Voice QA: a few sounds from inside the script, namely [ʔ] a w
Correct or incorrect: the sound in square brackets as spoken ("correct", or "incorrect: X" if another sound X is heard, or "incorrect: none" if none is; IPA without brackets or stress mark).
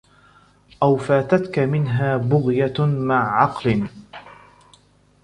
correct